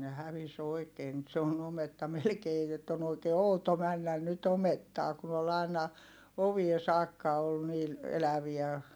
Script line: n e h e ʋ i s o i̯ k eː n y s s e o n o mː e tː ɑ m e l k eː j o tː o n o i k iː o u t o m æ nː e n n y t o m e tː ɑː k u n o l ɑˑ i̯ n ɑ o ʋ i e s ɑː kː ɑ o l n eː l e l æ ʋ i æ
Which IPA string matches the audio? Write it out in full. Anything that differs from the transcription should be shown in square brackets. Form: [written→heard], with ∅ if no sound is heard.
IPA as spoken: n e h [e→æ] ʋ i s o i̯ k eː n y [s→t] s e o n o [mː→m] e tː ɑ m e l k eː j o tː o n o i k [iː→eː] o u t o m æ nː [e→æ] n n y t o m e tː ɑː k u n o l ɑˑ i̯ n ɑ o ʋ i e s ɑː kː ɑ o l n [eː→iː] l e l æ ʋ i æ